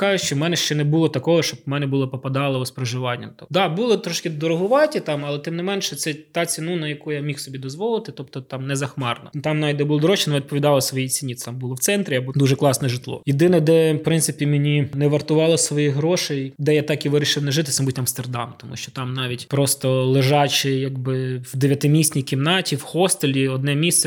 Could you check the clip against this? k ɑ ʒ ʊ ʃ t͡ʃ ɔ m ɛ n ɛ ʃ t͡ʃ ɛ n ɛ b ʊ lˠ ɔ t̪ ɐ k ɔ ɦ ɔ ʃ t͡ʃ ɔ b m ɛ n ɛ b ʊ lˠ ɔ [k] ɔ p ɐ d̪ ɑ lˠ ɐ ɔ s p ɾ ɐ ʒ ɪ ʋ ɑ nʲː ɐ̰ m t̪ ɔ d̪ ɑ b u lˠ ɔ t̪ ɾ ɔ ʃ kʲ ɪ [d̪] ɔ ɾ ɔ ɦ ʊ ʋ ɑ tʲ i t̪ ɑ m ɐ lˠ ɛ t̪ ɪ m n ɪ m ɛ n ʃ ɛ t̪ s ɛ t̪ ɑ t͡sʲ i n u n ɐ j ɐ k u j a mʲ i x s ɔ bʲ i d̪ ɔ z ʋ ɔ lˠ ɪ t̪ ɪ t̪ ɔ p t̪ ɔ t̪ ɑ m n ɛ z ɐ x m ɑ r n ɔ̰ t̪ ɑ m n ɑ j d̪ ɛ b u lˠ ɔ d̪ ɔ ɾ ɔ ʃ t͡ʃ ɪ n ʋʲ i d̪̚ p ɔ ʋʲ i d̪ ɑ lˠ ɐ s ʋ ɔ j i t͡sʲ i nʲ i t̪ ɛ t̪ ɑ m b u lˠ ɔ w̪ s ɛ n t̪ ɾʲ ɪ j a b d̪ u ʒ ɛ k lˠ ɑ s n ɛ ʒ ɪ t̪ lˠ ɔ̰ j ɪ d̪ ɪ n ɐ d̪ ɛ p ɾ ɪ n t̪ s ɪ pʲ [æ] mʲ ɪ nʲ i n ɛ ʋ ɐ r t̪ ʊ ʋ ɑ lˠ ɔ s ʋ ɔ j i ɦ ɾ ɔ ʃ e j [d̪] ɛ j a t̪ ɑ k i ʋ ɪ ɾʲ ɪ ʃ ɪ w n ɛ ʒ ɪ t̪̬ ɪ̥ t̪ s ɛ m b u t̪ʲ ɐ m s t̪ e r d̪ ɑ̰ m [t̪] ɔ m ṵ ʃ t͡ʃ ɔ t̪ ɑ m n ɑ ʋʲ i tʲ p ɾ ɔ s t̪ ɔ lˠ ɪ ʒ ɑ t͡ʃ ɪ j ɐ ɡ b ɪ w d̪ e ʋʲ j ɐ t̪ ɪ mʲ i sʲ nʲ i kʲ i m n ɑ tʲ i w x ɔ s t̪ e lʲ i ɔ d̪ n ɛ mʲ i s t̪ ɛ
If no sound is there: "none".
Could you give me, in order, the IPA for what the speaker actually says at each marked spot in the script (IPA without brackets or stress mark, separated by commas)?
p, d̪, i, d̪, t̪